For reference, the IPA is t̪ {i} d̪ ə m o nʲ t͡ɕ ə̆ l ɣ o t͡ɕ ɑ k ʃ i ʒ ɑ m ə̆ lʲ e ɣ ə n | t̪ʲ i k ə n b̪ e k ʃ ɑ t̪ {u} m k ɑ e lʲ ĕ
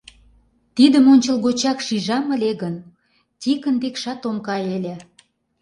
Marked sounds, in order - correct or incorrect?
correct, incorrect

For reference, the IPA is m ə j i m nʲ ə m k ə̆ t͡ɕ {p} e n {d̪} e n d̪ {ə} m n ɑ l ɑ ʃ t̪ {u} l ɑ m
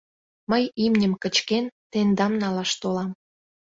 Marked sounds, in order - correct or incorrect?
incorrect, incorrect, incorrect, incorrect

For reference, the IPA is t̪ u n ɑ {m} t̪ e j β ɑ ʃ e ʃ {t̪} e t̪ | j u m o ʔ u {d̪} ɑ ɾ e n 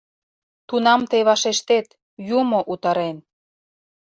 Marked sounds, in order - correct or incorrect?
correct, correct, incorrect

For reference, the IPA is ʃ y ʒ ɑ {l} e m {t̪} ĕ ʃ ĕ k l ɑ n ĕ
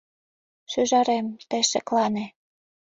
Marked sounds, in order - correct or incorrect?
incorrect, correct

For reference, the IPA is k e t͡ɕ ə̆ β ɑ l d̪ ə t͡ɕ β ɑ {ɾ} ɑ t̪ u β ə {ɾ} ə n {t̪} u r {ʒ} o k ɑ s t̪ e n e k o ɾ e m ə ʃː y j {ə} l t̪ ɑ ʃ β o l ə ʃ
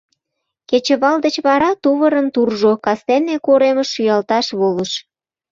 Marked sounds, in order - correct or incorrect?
correct, correct, correct, correct, incorrect

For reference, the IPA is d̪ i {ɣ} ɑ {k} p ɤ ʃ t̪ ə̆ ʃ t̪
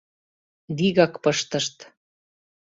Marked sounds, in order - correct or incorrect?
correct, correct

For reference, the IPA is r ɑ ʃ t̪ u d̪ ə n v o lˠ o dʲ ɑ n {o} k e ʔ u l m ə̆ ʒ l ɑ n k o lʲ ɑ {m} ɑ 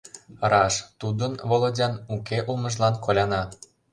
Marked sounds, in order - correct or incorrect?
incorrect, incorrect

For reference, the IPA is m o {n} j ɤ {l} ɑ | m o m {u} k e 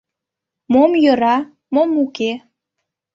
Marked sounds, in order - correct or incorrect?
incorrect, incorrect, correct

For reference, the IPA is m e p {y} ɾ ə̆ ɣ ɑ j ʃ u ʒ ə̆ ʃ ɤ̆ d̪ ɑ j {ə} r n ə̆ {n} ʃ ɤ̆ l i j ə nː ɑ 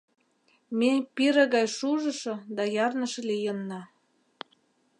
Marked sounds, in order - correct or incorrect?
incorrect, incorrect, incorrect

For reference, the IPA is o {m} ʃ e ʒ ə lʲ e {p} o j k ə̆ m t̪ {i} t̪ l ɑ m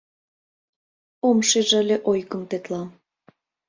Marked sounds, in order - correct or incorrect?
correct, incorrect, incorrect

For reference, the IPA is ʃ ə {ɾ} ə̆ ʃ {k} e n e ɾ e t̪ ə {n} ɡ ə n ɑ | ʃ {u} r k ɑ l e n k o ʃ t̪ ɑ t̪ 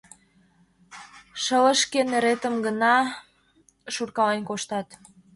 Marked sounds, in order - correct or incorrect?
incorrect, correct, incorrect, correct

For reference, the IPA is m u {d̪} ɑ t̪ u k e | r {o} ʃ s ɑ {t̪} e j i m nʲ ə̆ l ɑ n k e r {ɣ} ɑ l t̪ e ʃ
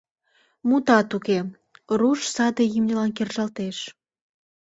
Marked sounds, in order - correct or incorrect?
incorrect, incorrect, incorrect, incorrect

